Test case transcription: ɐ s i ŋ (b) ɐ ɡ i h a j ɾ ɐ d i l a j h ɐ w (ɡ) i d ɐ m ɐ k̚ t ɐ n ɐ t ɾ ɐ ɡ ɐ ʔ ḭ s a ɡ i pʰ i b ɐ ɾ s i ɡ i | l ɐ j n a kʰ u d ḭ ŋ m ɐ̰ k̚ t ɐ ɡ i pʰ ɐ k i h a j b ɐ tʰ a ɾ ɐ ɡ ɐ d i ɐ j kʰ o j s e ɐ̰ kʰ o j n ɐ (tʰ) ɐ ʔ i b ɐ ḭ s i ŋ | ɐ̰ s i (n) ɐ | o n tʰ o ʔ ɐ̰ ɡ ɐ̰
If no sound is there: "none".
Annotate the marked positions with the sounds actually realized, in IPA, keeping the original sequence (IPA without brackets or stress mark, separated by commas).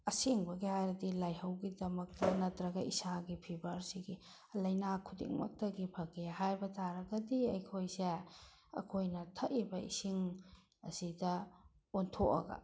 b, ɡ, tʰ, d